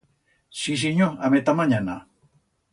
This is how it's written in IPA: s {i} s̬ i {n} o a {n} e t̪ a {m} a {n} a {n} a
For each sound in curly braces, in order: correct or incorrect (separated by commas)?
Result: correct, incorrect, incorrect, correct, incorrect, correct